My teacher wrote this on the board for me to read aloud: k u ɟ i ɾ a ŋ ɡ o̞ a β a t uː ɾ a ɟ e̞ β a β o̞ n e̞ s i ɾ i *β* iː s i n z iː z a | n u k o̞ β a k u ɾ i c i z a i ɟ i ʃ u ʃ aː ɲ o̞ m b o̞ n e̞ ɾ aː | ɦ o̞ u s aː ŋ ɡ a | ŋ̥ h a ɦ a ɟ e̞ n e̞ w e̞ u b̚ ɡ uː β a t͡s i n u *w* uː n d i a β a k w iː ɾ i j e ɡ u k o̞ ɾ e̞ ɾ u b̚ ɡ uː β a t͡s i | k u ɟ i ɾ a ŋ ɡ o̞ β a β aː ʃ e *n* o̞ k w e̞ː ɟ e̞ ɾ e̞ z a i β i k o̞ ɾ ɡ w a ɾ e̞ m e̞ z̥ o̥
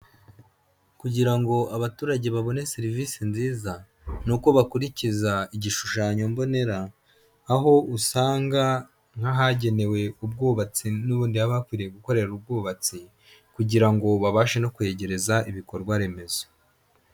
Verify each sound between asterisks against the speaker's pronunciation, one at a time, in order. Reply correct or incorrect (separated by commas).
incorrect, incorrect, correct